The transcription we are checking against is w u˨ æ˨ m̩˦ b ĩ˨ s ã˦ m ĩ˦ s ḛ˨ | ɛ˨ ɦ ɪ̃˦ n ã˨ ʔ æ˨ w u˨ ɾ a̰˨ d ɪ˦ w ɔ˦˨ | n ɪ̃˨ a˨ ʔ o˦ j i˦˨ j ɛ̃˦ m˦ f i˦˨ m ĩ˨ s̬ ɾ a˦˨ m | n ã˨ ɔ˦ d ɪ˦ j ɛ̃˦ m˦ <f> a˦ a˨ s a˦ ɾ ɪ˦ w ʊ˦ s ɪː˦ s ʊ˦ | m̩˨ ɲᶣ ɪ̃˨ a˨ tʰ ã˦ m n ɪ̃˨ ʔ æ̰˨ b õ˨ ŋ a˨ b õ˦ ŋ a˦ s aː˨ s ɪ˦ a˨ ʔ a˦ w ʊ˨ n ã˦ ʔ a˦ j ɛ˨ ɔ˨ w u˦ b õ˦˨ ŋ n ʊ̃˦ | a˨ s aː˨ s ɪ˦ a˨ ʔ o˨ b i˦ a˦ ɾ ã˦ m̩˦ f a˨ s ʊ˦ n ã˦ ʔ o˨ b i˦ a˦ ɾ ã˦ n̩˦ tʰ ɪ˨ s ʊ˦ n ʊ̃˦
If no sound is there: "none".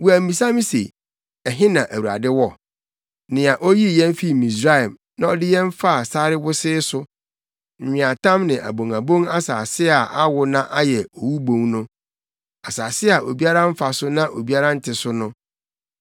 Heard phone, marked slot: f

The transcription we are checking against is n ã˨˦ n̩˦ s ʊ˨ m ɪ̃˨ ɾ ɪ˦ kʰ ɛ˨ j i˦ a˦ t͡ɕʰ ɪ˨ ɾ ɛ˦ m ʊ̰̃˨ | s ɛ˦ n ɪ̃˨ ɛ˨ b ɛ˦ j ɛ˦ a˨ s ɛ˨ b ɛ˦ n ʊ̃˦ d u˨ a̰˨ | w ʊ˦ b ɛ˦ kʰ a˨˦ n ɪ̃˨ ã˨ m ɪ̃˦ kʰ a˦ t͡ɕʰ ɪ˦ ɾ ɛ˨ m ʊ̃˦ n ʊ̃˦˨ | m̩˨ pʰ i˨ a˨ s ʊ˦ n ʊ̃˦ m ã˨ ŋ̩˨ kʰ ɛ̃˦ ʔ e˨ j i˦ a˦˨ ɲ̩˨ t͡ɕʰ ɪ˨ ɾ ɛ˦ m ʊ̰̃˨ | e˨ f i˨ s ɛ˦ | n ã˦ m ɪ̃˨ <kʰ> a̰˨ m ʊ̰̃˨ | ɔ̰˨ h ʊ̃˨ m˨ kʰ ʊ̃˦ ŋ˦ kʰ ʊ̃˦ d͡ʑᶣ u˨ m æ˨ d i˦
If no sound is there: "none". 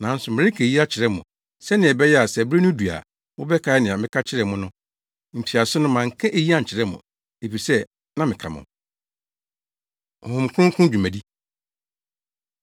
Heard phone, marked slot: kʰ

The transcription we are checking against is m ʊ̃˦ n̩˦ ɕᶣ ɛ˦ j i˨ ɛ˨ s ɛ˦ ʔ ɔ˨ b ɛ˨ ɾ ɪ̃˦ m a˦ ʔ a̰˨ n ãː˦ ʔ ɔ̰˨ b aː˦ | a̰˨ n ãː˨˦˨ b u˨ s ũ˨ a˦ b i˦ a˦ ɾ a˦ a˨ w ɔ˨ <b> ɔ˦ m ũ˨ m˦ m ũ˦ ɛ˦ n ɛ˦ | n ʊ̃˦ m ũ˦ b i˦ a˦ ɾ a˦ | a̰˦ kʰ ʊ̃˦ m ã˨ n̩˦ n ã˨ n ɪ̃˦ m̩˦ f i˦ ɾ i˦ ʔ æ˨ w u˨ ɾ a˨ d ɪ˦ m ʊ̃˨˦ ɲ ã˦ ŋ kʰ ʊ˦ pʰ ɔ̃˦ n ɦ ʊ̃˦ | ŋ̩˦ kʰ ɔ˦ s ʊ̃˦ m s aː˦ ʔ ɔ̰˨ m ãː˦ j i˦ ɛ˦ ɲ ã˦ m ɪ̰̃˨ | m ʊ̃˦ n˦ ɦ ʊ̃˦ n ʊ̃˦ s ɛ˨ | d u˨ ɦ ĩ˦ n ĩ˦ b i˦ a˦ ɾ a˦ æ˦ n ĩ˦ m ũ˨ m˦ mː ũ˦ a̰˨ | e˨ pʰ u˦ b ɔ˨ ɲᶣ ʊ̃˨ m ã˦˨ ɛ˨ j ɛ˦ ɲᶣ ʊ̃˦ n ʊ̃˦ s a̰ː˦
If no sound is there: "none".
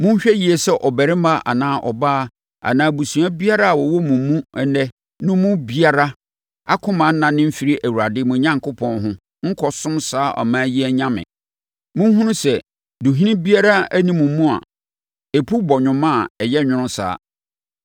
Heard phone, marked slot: w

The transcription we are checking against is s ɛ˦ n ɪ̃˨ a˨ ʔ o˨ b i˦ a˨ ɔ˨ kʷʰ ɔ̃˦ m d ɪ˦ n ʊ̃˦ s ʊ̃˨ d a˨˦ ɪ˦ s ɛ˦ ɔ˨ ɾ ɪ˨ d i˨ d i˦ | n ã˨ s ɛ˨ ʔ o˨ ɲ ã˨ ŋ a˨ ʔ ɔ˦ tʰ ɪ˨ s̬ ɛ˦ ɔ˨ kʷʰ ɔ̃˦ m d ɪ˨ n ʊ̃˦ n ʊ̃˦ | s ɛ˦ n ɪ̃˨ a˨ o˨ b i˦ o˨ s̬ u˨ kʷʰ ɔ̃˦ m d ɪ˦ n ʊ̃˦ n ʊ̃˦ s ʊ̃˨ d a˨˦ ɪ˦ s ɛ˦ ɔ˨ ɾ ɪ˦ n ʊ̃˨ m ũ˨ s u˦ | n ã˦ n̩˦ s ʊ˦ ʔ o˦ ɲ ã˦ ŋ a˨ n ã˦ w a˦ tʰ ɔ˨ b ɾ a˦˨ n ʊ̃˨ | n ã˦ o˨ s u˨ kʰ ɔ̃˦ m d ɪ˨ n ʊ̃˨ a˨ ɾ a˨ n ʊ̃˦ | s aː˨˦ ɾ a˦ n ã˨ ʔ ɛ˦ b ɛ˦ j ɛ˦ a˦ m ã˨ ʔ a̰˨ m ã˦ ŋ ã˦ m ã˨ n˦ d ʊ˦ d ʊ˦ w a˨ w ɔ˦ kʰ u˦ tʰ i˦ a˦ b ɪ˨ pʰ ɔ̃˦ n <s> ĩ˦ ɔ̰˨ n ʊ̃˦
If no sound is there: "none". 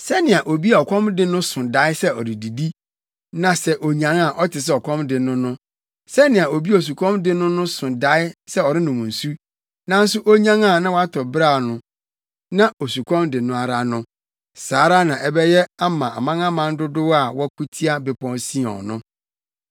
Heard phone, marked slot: s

